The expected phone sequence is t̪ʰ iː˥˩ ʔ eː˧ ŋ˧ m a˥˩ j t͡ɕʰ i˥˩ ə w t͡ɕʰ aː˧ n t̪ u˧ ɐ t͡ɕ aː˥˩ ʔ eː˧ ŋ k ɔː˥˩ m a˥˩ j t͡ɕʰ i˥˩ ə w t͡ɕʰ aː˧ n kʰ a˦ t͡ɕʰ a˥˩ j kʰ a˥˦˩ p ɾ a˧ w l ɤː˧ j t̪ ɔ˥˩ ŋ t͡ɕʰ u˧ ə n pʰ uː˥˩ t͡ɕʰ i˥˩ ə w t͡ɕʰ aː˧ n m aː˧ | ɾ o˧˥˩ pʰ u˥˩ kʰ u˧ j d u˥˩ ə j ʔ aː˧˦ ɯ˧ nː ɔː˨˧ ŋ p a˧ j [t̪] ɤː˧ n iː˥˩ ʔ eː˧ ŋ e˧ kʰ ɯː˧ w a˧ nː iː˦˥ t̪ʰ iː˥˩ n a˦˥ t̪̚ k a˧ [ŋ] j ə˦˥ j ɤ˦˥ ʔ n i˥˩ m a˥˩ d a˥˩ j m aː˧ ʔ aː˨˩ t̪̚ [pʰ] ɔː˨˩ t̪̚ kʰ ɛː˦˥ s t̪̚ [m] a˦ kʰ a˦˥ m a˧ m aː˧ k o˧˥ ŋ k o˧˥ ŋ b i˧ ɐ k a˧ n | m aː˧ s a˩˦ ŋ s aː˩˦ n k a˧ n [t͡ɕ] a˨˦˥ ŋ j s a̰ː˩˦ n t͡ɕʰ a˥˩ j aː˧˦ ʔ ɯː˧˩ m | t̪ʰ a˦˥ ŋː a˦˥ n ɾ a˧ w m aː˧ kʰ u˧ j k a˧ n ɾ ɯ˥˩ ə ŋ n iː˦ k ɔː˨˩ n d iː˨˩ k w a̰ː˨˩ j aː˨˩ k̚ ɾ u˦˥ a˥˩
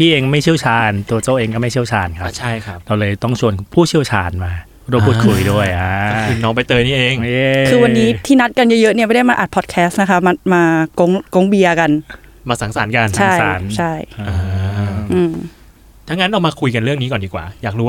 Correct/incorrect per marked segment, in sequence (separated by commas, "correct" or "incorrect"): correct, incorrect, correct, incorrect, incorrect